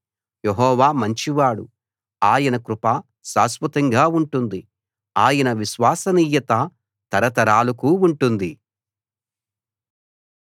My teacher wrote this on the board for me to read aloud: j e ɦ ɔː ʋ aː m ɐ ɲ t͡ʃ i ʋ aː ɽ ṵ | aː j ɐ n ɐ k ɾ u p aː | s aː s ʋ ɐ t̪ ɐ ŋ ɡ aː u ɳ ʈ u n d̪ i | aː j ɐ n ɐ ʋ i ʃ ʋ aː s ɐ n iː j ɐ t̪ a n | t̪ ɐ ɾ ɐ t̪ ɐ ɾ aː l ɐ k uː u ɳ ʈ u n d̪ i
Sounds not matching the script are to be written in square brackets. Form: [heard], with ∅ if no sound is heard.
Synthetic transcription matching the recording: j e ɦ ɔː ʋ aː m ɐ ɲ t͡ʃ i ʋ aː ɽ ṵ | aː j ɐ n ɐ k ɾ u p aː | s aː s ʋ ɐ t̪ ɐ ŋ ɡ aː u ɳ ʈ u n d̪ i | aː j ɐ n ɐ ʋ i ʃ ʋ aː s ɐ n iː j ɐ t̪ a [∅] | t̪ ɐ ɾ ɐ t̪ ɐ ɾ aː l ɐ k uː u ɳ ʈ u n d̪ i